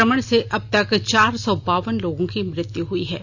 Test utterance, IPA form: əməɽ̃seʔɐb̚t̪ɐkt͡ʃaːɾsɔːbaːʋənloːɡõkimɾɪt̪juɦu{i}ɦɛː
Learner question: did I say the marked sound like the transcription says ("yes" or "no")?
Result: yes